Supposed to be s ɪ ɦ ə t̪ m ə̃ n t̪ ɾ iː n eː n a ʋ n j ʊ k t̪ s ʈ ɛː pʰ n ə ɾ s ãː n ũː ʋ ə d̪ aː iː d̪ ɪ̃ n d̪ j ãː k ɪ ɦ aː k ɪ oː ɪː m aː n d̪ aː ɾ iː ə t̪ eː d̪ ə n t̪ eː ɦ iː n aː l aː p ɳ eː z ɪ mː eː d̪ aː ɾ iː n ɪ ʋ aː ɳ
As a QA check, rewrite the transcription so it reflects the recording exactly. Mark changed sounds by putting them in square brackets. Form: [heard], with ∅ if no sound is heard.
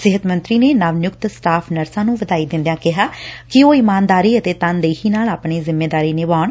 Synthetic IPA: s ɪ ɦ ə t̪ m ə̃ n t̪ ɾ iː n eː n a ʋ n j ʊ k t̪ s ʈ [aː] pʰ n ə ɾ s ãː n ũː ʋ ə d̪ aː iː d̪ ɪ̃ n d̪ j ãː k ɪ ɦ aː k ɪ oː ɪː m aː n d̪ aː ɾ iː ə t̪ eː [t̪] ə n [d̪] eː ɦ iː n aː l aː p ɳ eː z ɪ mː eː d̪ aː ɾ iː n ɪ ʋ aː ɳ

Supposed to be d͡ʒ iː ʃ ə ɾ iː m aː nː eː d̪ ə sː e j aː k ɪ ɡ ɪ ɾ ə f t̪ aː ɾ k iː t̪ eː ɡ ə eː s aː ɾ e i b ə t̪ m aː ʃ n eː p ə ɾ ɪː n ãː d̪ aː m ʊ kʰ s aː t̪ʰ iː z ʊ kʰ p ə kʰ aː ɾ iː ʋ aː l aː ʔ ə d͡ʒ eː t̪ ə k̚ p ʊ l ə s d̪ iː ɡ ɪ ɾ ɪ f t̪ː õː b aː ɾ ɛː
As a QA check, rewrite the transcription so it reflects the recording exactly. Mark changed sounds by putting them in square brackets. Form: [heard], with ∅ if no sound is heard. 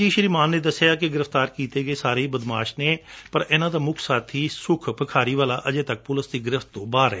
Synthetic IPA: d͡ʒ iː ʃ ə ɾ iː m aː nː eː d̪ ə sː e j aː k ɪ ɡ ɪ ɾ ə f t̪ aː ɾ k iː t̪ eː ɡ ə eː s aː ɾ e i b ə [d̪] m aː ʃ n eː p ə ɾ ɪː n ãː d̪ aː m ʊ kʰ s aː t̪ʰ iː [s] ʊ kʰ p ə kʰ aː ɾ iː ʋ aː l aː ʔ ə d͡ʒ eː t̪ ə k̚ p ʊ l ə s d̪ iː ɡ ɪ ɾ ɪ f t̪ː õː b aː ɾ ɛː

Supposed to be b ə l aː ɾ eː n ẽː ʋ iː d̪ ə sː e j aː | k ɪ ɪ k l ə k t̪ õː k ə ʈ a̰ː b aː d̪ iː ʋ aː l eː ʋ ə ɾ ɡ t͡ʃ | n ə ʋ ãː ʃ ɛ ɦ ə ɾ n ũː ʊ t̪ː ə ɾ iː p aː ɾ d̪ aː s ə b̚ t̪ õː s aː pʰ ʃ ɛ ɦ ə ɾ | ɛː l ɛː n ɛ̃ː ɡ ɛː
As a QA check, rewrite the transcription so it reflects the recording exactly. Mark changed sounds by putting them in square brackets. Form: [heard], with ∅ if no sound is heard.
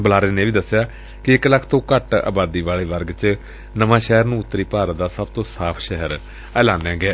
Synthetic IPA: b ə l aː ɾ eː n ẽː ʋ iː d̪ ə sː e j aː | k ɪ ɪ k l ə [kʰ] t̪ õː k ə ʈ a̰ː b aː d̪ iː ʋ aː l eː ʋ ə ɾ ɡ t͡ʃ | n ə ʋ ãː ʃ ɛ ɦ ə ɾ n ũː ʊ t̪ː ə ɾ iː p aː ɾ d̪ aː s ə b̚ t̪ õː s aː pʰ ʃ ɛ ɦ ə ɾ | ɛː l [aː] n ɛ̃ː ɡ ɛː

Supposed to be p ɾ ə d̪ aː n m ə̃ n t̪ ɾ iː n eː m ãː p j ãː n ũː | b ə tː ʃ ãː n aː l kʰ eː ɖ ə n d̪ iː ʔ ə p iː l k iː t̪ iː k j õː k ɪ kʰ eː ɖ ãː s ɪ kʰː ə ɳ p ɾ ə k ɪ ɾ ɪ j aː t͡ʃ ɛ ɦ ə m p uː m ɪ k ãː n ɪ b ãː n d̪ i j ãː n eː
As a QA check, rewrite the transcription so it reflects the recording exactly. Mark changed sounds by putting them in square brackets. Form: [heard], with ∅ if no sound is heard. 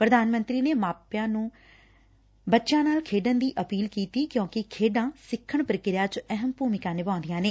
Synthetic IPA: p ɾ ə d̪ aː n m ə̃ n t̪ ɾ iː n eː m [aː] p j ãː n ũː | b ə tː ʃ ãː n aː l kʰ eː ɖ ə n d̪ iː ʔ ə p iː l k iː t̪ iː k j õː k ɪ kʰ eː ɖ ãː s ɪ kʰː ə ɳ p ɾ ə k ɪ ɾ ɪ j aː t͡ʃ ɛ ɦ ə m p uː m ɪ k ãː n ɪ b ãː n d̪ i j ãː n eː

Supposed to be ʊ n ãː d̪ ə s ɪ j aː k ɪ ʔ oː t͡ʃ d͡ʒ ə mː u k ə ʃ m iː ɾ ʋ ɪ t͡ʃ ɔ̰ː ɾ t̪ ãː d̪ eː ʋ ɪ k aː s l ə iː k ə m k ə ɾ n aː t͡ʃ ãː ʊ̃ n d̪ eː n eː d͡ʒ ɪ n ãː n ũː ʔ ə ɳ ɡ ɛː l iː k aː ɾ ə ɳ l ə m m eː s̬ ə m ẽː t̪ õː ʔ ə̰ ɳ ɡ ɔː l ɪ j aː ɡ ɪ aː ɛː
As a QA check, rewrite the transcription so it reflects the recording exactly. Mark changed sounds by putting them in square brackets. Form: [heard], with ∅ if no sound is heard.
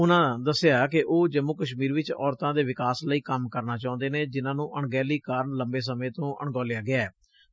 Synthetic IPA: ʊ n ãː d̪ ə s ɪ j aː k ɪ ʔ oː [∅] d͡ʒ ə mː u k ə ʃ m iː ɾ ʋ ɪ t͡ʃ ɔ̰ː ɾ t̪ ãː d̪ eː ʋ ɪ k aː s l ə iː k ə m k ə ɾ n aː t͡ʃ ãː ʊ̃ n d̪ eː n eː d͡ʒ ɪ n ãː n ũː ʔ ə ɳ ɡ ɛː l iː k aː ɾ ə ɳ l ə m [b] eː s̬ ə m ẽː t̪ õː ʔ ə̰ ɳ ɡ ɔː l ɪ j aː ɡ ɪ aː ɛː

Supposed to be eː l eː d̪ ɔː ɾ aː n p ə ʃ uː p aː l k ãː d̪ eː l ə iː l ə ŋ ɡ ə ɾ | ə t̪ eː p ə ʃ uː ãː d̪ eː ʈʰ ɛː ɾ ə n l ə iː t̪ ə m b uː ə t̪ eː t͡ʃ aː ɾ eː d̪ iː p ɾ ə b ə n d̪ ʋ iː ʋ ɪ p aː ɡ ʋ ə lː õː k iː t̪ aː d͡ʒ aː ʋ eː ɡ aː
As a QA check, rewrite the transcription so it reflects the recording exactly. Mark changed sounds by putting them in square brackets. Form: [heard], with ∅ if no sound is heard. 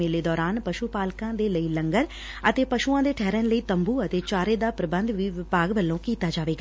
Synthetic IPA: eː l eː d̪ ɔː ɾ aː n p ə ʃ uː p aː l k ãː d̪ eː l ə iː l ə ŋ ɡ ə ɾ | ə t̪ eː p ə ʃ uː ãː d̪ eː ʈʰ ɛː ɾ ə n l ə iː t̪ ə m b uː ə t̪ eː t͡ʃ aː ɾ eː d̪ [aː] p ɾ ə b ə n d̪ ʋ iː ʋ ɪ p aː ɡ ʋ ə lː õː k iː t̪ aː d͡ʒ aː ʋ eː ɡ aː

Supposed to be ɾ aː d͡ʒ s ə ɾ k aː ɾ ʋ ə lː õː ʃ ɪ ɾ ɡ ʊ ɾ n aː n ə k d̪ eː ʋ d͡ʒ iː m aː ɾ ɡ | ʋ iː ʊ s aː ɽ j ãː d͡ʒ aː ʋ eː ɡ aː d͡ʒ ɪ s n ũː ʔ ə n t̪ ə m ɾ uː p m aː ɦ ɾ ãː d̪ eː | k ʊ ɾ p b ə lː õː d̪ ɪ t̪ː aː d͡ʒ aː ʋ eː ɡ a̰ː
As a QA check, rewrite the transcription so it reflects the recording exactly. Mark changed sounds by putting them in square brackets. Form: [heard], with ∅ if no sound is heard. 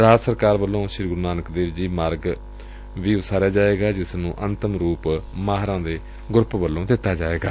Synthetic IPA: ɾ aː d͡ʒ s ə ɾ k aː ɾ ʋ ə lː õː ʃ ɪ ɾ ɡ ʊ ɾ n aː n ə k d̪ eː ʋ d͡ʒ iː m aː ɾ ɡ | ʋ iː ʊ s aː [ɾ] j [aː] d͡ʒ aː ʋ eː ɡ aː d͡ʒ ɪ s n ũː ʔ ə n t̪ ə m ɾ uː p m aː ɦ ɾ ãː d̪ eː | [ɡ] ʊ ɾ p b ə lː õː d̪ ɪ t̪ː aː d͡ʒ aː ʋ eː ɡ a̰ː

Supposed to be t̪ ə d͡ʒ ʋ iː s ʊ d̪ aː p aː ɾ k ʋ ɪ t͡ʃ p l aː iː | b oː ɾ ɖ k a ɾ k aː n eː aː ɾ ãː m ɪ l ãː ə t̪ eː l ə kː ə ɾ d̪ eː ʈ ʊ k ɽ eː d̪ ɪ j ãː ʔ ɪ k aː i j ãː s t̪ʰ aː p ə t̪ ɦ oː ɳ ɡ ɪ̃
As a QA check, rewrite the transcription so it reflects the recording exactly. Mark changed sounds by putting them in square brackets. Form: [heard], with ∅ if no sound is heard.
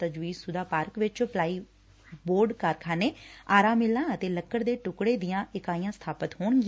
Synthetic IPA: t̪ ə d͡ʒ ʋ iː s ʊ d̪ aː p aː ɾ k ʋ ɪ t͡ʃ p l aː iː | b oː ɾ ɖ k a ɾ [kʰ] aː n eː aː ɾ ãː m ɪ l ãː ə t̪ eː l ə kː ə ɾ d̪ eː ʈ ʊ k ɽ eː d̪ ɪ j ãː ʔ ɪ k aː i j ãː s t̪ʰ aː p ə t̪ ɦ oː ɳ ɡ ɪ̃

